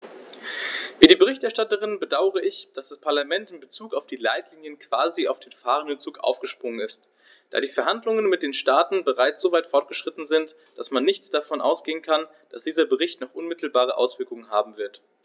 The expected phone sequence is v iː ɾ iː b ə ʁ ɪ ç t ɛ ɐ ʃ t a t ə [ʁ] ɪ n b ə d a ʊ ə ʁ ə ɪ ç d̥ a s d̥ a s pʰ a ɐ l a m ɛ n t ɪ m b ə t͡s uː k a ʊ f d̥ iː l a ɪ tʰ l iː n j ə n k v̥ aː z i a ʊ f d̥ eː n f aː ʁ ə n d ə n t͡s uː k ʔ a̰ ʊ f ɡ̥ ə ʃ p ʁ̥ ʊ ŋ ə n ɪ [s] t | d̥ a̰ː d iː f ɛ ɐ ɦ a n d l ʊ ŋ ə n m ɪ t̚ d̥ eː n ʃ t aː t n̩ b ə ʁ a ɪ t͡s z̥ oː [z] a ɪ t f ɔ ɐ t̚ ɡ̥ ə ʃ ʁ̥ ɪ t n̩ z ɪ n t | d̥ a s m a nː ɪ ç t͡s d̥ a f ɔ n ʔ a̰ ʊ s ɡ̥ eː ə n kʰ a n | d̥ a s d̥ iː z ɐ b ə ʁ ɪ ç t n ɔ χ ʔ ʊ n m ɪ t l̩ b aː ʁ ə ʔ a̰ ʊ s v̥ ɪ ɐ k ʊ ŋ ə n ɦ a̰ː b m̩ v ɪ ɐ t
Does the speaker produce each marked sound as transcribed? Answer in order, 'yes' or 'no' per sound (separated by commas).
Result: yes, yes, no